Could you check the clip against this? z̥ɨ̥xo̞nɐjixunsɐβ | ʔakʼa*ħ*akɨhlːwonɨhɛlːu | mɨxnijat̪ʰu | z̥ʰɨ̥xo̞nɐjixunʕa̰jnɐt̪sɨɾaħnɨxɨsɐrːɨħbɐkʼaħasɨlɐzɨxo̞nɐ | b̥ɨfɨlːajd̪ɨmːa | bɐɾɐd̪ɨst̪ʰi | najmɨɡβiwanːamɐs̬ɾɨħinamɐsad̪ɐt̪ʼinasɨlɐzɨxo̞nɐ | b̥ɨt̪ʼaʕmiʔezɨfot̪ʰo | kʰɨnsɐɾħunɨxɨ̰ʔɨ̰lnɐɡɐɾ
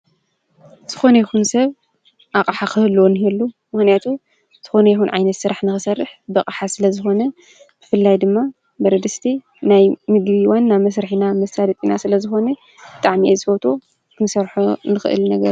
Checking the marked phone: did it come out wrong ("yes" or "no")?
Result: no